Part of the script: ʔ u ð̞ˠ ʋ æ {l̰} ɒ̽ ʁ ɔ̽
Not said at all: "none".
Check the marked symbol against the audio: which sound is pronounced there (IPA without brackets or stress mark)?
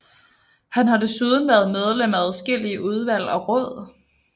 l̰